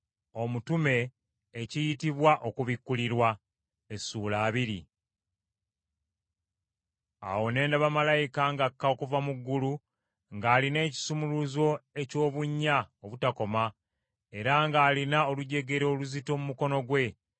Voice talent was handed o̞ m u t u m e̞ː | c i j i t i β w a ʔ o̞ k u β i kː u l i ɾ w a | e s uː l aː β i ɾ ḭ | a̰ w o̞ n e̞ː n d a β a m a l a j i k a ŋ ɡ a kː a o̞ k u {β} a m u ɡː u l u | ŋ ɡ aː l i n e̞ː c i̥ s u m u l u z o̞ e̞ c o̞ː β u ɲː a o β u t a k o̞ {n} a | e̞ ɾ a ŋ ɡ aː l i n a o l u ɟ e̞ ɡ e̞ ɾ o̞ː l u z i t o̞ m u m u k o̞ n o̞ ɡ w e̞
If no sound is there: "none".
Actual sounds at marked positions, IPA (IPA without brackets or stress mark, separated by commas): v, m